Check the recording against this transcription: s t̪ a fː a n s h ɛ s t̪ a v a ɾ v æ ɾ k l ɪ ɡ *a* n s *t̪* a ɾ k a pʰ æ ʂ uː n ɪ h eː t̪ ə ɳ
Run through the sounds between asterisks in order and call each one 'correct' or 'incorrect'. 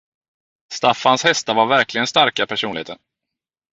incorrect, correct

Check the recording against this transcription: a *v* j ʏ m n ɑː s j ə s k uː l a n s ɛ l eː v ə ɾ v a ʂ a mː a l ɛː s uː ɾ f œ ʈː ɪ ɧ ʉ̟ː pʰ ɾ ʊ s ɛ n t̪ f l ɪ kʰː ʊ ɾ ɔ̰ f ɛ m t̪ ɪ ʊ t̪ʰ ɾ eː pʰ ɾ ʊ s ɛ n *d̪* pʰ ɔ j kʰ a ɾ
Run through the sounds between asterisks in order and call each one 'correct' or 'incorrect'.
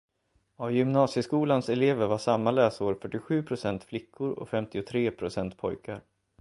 correct, incorrect

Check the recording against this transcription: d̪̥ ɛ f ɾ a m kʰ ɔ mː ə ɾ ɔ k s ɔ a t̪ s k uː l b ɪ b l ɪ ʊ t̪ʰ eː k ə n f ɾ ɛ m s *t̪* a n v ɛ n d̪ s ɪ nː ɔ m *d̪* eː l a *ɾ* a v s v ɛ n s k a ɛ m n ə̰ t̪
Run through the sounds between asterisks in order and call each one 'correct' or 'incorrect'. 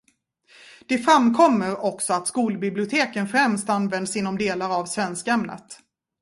correct, correct, correct

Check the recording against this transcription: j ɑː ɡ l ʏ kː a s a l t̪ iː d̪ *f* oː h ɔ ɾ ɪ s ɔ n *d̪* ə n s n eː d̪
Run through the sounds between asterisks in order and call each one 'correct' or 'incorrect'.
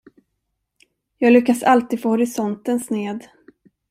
correct, incorrect

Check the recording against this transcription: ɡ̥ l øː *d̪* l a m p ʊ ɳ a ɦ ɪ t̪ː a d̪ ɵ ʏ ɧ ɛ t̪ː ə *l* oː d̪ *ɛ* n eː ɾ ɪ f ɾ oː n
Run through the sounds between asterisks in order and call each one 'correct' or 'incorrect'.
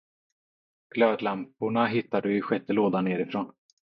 correct, correct, incorrect

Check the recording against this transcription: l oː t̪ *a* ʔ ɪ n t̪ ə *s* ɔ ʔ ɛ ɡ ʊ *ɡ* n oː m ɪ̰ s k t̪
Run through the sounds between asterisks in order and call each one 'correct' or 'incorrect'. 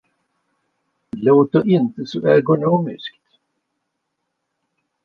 incorrect, correct, incorrect

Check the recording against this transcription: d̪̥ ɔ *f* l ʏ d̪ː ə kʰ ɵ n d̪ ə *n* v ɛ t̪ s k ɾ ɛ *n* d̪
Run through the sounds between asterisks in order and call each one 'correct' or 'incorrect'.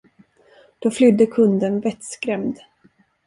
correct, correct, incorrect

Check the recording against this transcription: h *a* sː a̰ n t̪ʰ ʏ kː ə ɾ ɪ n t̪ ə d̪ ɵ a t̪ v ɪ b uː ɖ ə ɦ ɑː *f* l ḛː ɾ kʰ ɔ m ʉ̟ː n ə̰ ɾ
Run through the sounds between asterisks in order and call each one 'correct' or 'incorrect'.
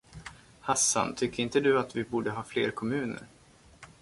correct, correct

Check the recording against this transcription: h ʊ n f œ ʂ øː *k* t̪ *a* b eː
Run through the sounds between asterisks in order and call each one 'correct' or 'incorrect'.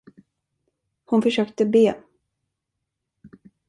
correct, incorrect

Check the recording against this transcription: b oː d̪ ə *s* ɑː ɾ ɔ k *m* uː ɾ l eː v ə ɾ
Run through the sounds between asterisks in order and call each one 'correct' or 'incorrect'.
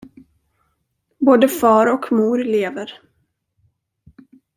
incorrect, correct

